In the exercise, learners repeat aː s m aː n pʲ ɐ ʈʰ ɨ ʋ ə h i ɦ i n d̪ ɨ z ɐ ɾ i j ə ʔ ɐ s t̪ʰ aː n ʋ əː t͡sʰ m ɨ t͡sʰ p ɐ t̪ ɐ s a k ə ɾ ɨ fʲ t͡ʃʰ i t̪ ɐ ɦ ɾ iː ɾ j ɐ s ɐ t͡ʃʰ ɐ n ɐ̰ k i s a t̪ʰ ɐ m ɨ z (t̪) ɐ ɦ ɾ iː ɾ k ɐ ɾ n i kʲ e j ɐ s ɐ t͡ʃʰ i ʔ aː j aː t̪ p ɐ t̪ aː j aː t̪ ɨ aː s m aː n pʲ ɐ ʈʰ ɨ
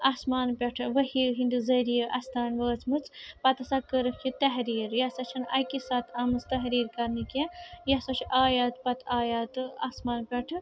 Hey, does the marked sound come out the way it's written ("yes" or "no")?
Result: yes